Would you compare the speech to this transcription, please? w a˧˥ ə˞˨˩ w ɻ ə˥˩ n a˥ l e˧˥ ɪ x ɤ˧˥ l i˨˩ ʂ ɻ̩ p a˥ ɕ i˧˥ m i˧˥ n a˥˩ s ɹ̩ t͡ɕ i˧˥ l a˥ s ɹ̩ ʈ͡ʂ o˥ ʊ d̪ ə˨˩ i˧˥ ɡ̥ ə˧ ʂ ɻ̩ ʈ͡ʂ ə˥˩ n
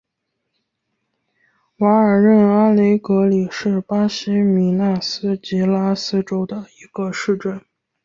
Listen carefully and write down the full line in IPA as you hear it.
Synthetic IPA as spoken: w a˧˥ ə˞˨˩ ɻ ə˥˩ n a˥ l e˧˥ ɪ k ɤ˧˥ l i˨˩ ʂ ɻ̩ p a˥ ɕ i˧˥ m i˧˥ n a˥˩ s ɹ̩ t͡ɕ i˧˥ l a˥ s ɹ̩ ʈ͡ʂ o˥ ʊ d̪ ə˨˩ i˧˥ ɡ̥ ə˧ ʂ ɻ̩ ʈ͡ʂ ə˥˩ n